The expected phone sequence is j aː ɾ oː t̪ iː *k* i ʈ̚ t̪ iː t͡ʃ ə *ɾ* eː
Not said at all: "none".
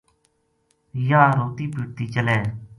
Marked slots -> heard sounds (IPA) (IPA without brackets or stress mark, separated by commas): p, l